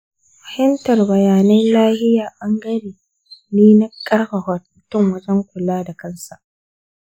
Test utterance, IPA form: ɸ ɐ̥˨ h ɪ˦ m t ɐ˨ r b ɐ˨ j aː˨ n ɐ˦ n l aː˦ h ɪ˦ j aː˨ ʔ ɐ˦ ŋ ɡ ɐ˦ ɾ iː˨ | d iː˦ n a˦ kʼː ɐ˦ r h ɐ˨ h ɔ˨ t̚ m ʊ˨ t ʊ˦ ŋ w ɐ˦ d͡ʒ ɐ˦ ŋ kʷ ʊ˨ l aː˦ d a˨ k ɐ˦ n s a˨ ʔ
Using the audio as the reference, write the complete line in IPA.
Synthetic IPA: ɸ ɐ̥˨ h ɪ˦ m t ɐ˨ r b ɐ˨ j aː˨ n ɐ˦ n l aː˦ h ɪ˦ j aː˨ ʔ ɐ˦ ŋ ɡ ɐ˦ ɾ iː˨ | n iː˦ n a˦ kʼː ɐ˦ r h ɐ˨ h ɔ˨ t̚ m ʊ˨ t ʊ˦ ŋ w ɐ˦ d͡ʒ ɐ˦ ŋ kʷ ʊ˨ l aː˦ d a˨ k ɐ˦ n s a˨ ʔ